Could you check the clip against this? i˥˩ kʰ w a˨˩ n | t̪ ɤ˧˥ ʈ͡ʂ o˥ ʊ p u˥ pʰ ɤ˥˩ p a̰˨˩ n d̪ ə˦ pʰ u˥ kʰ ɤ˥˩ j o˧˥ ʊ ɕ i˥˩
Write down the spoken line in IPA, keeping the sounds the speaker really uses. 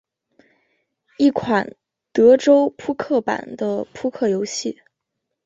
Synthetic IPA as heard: i˥˩ kʰ w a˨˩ n | t̪ ɤ˧˥ ʈ͡ʂ o˥ ʊ pʰ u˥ kʰ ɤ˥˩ p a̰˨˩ n d̪ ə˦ pʰ u˥ kʰ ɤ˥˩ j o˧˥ ʊ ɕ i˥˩